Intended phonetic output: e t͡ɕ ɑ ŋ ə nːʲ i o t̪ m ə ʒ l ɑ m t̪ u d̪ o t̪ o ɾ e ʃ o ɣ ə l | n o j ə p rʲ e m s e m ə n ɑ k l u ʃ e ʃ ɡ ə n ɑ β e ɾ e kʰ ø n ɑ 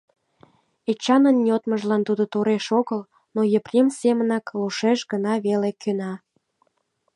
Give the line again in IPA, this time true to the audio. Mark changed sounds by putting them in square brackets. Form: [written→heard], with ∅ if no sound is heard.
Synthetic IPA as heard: e t͡ɕ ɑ [ŋ→n] ə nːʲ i o t̪ m ə ʒ l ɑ [m→n] t̪ u d̪ o t̪ o ɾ e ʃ o ɣ ə l | n o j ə p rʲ e m s e m ə n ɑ k l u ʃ e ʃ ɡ ə n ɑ β e [ɾ→l] e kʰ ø n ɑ